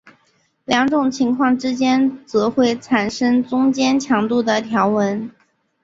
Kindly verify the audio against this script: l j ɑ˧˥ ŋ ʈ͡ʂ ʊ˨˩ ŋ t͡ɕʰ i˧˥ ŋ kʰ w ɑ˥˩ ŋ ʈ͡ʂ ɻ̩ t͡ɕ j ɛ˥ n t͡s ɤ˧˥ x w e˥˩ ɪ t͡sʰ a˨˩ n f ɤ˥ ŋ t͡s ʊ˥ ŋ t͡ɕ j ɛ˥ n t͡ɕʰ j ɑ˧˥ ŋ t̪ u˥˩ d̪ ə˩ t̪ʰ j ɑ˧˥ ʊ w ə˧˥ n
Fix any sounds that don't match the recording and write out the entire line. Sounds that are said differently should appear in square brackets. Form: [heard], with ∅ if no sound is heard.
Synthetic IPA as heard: l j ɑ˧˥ ŋ ʈ͡ʂ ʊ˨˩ ŋ t͡ɕʰ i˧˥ ŋ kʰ w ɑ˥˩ ŋ ʈ͡ʂ ɻ̩ t͡ɕ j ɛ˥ n t͡s ɤ˧˥ x w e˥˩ ɪ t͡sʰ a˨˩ n [ʂ] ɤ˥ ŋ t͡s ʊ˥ ŋ t͡ɕ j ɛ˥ n t͡ɕʰ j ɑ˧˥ ŋ t̪ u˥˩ d̪ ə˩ t̪ʰ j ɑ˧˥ ʊ w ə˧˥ n